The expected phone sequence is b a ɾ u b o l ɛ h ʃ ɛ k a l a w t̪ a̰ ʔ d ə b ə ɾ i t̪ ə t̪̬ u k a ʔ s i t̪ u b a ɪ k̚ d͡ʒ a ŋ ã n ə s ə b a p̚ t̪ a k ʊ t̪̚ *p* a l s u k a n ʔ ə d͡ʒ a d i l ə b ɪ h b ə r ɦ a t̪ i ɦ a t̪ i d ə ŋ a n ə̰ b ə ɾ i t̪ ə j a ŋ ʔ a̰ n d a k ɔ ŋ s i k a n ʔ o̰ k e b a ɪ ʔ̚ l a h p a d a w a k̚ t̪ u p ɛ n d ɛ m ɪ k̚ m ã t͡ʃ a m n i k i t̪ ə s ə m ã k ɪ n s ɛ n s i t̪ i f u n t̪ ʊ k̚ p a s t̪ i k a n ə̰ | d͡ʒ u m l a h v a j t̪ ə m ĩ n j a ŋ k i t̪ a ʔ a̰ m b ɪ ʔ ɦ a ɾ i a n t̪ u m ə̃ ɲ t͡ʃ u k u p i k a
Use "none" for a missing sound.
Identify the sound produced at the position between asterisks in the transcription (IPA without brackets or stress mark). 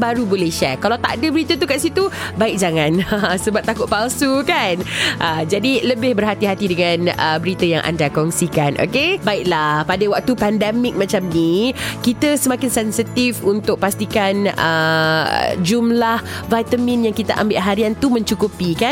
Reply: p